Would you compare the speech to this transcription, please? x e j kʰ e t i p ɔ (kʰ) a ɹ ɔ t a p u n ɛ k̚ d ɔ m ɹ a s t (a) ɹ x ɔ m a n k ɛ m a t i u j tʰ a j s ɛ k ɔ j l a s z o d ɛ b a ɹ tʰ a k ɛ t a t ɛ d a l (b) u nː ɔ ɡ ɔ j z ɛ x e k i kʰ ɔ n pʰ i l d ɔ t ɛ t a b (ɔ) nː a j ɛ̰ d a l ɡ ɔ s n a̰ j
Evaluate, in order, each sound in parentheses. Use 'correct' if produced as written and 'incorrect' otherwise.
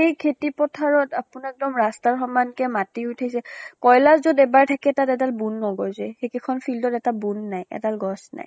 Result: incorrect: tʰ, correct, correct, incorrect: u

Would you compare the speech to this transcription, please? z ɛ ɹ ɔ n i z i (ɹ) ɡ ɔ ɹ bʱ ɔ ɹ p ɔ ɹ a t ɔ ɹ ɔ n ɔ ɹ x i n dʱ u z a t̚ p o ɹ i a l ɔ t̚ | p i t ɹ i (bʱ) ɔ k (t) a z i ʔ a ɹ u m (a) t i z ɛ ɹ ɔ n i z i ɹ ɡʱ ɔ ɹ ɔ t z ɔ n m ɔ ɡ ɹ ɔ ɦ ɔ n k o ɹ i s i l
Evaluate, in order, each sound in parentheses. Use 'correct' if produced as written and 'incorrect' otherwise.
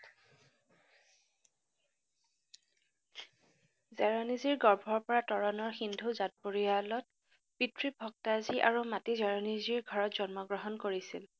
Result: correct, correct, correct, correct

